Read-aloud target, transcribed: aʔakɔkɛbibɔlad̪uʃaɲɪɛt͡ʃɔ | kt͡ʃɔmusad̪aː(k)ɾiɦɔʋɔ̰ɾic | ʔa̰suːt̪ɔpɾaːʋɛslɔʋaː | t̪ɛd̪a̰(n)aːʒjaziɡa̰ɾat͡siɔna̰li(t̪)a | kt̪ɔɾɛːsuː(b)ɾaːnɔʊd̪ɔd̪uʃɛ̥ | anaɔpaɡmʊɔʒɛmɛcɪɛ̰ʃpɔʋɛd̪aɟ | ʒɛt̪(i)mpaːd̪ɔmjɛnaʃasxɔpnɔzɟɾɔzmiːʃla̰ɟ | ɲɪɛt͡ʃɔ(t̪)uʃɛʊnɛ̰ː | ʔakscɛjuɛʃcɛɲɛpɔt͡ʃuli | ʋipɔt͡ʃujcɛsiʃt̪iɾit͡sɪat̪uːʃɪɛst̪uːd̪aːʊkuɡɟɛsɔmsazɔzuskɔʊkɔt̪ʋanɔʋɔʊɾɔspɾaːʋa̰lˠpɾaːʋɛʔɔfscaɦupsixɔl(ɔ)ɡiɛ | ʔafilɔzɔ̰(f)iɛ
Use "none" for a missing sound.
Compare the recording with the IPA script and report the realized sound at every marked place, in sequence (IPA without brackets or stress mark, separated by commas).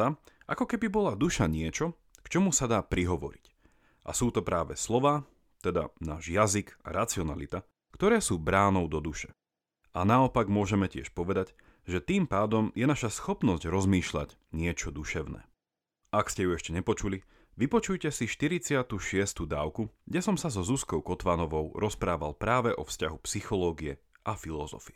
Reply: p, n, t̪, b, iː, d̪, ɔː, f